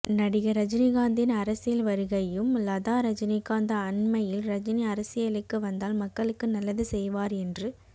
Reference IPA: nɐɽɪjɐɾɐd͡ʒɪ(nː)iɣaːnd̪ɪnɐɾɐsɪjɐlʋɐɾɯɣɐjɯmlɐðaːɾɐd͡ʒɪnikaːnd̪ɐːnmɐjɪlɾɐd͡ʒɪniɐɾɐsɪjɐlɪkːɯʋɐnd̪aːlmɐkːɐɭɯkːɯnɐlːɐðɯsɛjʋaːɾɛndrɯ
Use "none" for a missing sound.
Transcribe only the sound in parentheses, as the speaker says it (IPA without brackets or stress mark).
n